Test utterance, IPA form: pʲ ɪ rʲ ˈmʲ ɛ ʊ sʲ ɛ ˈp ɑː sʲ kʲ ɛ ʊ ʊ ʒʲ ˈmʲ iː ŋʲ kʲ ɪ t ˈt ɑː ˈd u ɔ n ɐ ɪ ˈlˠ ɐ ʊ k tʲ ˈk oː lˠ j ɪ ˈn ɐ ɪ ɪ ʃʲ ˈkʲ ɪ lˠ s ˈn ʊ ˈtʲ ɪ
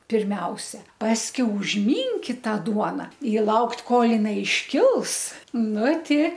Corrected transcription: pʲ ɪ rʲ ˈmʲ ɛ ʊ sʲ ɛ ˈp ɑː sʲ kʲ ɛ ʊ ʊ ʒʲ ˈmʲ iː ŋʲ kʲ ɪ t ˈt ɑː ˈd u ɔ n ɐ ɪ ˈlˠ ɐ ʊ k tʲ ˈk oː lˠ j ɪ ˈn ɐ ɪ ɪ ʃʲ ˈkʲ ɪ lˠ s ˈn ʊ ˈtʲ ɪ